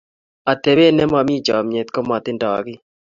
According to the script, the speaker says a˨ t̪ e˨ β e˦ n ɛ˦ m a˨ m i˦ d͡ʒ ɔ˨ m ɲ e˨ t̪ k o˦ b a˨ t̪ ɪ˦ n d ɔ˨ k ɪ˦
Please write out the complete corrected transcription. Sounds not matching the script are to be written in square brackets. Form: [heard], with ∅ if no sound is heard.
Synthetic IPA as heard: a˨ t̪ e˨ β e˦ n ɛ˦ m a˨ m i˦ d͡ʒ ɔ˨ m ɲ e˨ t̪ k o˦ [m] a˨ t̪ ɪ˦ n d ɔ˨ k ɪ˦